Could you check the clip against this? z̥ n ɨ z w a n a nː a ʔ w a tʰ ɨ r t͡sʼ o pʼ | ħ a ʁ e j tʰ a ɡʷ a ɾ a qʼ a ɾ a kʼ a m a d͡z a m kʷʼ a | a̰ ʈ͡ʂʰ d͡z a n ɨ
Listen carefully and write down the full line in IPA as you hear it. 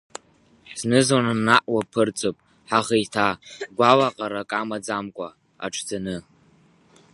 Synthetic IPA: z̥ n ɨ z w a n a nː a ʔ w a pʰ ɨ r t͡sʼ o pʼ | ħ a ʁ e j tʰ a ɡʷ a l a qʼ a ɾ a kʼ a m a d͡z a m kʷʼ a | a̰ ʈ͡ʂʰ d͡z a n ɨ